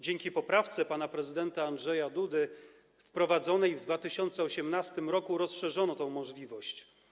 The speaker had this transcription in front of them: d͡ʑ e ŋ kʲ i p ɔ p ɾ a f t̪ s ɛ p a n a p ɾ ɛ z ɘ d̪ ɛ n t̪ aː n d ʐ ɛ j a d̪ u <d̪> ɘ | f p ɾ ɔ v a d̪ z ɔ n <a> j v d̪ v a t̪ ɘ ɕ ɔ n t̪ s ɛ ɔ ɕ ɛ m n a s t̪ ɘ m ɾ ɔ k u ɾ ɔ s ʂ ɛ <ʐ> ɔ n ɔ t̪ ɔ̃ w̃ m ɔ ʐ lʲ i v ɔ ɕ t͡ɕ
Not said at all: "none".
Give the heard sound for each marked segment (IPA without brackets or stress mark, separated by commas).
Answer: d̪, ɛ, ʐ